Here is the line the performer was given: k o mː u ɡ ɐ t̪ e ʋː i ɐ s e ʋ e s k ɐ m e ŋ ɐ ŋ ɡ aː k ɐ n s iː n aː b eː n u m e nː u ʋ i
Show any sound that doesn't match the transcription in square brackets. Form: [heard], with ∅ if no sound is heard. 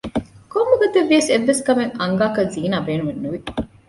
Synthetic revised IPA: k o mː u ɡ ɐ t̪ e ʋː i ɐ s e [ʋː] e s k ɐ m e ŋ ɐ ŋ ɡ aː k ɐ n [z] iː n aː b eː n u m e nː u ʋ i